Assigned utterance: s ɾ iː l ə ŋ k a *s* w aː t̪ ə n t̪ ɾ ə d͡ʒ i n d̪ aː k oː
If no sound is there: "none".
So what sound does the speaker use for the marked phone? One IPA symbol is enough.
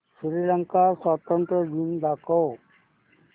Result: s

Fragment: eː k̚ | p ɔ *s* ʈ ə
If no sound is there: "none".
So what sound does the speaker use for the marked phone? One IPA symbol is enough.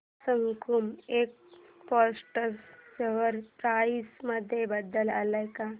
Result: s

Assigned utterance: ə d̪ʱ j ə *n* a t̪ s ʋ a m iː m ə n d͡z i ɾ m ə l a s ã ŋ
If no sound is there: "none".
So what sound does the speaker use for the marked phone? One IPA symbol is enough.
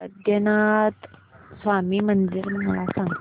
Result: n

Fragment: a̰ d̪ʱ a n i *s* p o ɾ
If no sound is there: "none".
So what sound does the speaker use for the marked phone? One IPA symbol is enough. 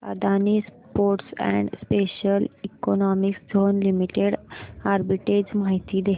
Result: s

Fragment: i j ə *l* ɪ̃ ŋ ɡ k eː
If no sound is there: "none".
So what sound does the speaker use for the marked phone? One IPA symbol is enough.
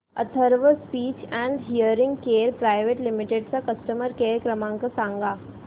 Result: ɾ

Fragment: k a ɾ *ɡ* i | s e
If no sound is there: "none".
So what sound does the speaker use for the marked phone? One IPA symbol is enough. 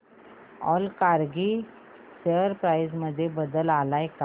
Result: ɡ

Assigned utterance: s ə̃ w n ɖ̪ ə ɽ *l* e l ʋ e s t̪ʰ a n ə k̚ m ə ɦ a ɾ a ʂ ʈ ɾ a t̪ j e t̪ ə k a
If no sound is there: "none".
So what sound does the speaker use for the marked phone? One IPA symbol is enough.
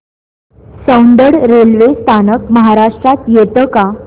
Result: ɾ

